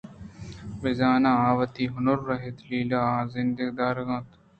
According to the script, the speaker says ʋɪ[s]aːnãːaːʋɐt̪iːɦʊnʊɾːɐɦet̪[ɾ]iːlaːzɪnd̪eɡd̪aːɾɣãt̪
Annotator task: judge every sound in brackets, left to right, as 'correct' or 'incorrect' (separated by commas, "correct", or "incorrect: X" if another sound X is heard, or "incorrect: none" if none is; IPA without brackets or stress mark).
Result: incorrect: z, incorrect: l